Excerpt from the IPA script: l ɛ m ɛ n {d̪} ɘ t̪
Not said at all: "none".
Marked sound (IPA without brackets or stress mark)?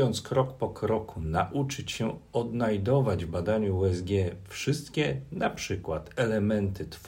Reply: t̪